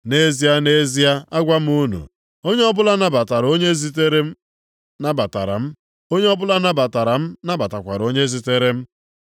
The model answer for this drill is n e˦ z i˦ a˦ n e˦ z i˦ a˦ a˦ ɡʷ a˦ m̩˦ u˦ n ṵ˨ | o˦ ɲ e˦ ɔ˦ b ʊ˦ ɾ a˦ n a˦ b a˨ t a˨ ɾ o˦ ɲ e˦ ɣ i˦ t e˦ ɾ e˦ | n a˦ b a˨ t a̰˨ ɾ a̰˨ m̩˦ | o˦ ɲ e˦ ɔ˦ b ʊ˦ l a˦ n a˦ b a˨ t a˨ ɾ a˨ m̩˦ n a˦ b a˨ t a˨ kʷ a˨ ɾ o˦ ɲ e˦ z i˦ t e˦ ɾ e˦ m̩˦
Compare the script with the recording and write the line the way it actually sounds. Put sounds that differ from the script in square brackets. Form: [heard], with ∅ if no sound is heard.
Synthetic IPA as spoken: n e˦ z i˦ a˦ n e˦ z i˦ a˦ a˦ ɡʷ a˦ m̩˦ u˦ n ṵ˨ | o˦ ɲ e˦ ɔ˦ b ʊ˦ [l] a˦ n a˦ b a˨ t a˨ ɾ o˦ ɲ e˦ [z] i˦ t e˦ ɾ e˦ | n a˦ b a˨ t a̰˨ ɾ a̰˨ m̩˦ | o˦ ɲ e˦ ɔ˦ b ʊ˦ l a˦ n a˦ b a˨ t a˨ ɾ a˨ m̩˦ n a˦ b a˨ t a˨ kʷ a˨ ɾ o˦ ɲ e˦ z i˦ t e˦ ɾ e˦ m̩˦